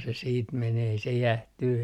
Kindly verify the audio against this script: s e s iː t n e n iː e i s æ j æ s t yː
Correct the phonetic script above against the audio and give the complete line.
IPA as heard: s e s iː t m e n eː e i s e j æ h t yː

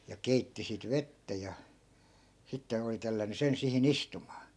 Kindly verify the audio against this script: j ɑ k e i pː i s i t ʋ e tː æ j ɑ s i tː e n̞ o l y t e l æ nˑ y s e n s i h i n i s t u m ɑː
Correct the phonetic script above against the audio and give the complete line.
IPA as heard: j ɑ k e i tː i s i t ʋ e tː æ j ɑ s i tː e n̞ o l i t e lː æ nˑ y s e n s i h i n i s t u m ɑː

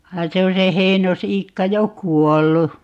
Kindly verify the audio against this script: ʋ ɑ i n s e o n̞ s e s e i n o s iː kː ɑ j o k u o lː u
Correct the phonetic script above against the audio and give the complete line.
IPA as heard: ʋ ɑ i n s e o n̞ s e h e i n o s iː kː ɑ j o k u o lː u

